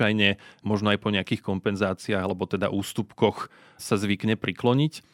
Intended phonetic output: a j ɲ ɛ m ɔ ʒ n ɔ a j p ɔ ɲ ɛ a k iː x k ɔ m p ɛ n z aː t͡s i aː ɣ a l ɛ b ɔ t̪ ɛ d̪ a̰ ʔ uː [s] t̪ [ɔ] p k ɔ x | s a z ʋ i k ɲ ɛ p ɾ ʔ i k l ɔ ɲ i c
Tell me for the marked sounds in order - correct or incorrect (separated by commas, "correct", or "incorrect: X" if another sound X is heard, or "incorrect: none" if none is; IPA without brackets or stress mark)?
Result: correct, incorrect: u